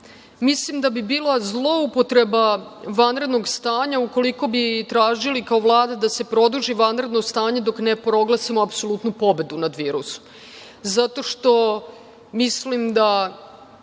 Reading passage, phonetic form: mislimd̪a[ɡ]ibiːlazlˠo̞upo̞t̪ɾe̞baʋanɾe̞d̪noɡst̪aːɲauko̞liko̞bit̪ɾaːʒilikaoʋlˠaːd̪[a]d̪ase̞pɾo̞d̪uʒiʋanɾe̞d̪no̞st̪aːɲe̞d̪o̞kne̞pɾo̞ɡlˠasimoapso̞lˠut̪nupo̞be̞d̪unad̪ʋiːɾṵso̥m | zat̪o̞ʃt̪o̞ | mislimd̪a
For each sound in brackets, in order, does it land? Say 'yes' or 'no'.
no, yes

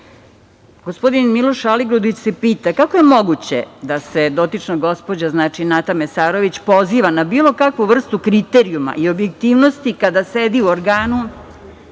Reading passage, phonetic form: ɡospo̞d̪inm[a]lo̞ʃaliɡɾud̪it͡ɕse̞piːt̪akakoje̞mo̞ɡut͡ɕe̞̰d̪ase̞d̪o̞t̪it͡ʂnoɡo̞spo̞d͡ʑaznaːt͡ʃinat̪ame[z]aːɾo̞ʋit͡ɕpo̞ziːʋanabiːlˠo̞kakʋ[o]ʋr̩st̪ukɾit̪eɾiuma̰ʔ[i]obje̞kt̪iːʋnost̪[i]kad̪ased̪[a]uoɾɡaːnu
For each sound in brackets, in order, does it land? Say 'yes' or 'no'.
no, no, no, yes, yes, no

